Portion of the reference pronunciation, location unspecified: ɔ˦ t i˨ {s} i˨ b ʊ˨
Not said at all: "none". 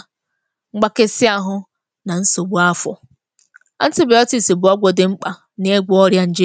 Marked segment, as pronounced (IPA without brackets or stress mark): s